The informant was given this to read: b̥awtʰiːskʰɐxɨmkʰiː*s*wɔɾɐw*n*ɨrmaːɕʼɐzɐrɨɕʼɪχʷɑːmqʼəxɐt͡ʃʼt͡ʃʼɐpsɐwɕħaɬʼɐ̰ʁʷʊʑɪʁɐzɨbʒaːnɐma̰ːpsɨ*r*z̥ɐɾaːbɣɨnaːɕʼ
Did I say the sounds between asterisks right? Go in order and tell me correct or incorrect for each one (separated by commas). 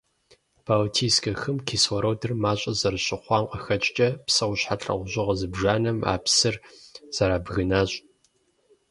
correct, incorrect, correct